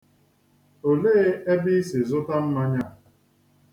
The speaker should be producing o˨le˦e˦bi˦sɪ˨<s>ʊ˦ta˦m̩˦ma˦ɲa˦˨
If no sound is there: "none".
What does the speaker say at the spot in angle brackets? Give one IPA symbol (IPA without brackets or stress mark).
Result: z